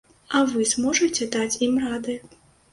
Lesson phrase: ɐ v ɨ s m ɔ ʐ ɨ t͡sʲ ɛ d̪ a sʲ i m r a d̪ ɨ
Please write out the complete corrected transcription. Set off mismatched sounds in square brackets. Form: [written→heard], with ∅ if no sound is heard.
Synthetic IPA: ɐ v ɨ [s→z] m ɔ ʐ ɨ t͡sʲ ɛ d̪ a [sʲ→t͡sʲ] i m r a d̪ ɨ